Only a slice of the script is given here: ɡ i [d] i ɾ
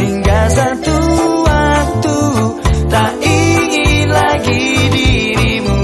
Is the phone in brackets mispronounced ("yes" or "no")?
no